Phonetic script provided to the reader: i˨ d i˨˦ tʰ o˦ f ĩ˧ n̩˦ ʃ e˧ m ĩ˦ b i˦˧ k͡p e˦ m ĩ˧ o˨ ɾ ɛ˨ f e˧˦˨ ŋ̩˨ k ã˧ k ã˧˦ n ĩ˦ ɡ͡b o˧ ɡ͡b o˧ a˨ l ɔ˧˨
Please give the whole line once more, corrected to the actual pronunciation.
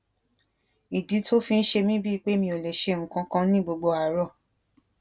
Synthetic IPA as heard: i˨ d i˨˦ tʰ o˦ f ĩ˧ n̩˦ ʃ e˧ m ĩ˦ b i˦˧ k͡p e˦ m ĩ˧ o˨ l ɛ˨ ʃ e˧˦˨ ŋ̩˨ k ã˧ k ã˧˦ n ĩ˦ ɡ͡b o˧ ɡ͡b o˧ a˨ ɾ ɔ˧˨